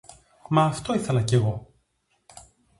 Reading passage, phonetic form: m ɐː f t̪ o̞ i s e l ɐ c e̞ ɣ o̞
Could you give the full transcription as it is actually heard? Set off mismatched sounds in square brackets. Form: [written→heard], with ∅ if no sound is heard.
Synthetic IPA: m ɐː f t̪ o̞ i [s→θ] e l ɐ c e̞ ɣ o̞